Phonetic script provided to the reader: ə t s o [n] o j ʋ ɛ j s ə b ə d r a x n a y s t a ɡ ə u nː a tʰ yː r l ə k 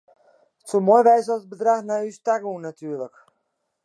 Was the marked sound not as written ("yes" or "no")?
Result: yes